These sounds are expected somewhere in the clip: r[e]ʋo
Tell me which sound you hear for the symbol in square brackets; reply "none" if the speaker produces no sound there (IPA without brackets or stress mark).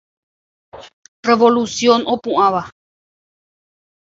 e